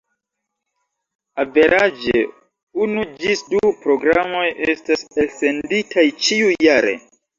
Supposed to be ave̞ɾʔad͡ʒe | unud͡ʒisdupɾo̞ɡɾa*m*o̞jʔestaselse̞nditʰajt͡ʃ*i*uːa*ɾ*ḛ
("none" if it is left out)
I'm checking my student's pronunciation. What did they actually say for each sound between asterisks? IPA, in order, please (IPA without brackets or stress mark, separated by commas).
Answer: m, i, ɾ